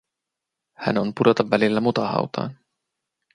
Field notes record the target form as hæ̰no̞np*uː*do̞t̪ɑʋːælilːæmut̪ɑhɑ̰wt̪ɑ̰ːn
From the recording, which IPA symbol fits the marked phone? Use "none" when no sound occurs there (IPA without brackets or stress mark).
u